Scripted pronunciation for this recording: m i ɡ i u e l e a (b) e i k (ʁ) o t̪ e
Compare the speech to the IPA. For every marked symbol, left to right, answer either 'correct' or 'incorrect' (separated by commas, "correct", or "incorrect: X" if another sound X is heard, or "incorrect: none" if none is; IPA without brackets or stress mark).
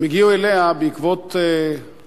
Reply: correct, incorrect: v